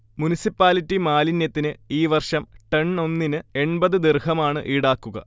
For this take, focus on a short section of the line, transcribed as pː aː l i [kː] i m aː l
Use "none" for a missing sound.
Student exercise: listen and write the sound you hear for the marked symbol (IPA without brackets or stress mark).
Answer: tː